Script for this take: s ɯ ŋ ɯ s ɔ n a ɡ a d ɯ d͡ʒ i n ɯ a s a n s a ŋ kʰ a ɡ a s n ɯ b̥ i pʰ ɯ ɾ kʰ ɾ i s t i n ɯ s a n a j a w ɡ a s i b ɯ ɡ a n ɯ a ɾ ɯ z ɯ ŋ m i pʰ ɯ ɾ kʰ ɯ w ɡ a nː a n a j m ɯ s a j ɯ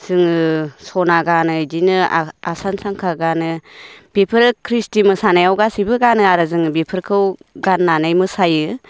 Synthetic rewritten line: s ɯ ŋ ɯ s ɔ n a ɡ a n ɯ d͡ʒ i n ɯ a s a n s a ŋ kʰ a ɡ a n ɯ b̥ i pʰ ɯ ɾ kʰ ɾ i s t i m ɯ s a n a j a w ɡ a s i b ɯ ɡ a n ɯ a ɾ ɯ z ɯ ŋ b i pʰ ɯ ɾ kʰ ɯ w ɡ a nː a n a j m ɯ s a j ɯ